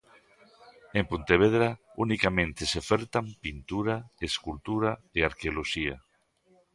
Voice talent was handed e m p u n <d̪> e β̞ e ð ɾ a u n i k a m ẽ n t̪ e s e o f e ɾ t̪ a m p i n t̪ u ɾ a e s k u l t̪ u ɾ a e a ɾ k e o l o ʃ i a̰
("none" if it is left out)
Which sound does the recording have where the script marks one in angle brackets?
t̪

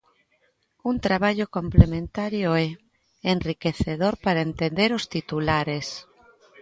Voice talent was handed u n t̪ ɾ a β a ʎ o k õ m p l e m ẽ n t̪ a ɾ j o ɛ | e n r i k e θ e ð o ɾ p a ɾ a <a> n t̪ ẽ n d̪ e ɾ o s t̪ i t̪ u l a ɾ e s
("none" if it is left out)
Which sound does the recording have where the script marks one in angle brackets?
e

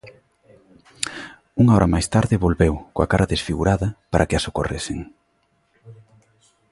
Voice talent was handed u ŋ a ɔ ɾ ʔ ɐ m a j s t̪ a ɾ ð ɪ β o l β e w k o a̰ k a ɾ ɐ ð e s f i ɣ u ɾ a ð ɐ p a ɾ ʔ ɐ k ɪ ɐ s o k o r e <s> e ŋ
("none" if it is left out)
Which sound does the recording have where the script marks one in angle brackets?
s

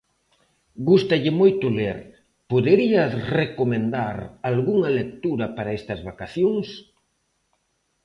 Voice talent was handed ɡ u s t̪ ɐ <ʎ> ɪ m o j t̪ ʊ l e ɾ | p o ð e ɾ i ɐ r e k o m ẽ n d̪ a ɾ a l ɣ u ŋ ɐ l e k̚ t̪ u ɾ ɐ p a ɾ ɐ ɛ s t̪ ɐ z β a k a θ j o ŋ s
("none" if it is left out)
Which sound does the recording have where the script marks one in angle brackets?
ʎ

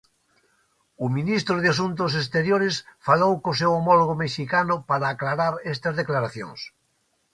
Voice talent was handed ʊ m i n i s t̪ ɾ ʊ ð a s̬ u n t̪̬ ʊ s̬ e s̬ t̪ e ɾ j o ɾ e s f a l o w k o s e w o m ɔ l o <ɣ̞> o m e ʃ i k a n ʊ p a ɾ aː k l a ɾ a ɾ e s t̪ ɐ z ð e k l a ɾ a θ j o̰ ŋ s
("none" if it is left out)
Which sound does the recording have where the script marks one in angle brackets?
ɣ̞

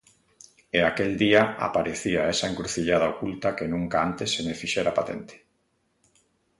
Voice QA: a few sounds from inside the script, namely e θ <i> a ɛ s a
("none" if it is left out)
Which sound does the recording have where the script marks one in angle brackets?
i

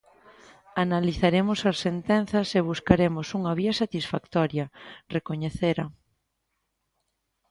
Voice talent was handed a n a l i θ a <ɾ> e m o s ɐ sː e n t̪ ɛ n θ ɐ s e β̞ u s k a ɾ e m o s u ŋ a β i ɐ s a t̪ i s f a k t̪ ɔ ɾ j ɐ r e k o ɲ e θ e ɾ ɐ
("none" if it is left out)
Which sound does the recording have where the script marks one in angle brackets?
ɾ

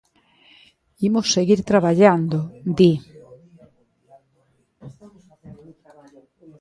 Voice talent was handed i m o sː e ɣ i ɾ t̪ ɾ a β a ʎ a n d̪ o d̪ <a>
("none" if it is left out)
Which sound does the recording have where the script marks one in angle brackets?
i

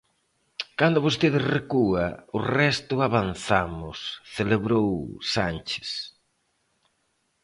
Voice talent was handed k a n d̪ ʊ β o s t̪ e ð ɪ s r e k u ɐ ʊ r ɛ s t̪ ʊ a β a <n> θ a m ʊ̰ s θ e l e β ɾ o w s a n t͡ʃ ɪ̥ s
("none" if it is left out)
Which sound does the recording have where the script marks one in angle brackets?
n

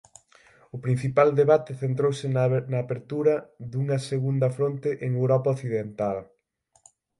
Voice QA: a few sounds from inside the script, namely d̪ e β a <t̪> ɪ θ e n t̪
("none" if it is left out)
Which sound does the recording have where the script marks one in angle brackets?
t̪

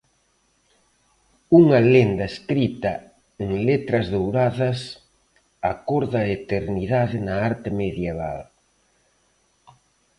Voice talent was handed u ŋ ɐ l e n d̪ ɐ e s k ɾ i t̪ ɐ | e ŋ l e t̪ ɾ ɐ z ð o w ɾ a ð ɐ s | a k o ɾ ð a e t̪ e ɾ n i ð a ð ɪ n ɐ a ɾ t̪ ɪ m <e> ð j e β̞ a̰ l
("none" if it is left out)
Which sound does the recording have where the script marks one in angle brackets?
e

